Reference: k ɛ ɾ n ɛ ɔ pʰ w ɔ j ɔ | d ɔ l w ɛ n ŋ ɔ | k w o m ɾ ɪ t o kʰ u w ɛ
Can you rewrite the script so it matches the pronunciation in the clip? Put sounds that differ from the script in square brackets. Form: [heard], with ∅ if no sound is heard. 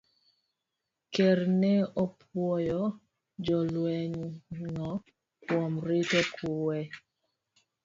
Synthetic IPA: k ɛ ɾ n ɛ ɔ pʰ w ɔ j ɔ | [d͡ʒ] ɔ l w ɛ [ɲ] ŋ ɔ | k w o m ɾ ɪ t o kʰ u w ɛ